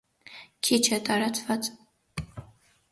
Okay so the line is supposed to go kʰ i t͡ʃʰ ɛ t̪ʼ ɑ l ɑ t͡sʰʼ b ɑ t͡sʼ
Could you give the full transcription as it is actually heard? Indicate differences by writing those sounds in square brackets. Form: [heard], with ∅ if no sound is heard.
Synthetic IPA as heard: kʰ i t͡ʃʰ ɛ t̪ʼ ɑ [ɾ] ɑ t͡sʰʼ [v] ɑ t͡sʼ